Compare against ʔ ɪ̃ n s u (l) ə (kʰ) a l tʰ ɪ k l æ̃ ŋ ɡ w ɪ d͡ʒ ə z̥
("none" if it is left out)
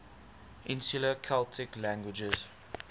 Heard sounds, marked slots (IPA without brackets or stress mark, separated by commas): l, kʰ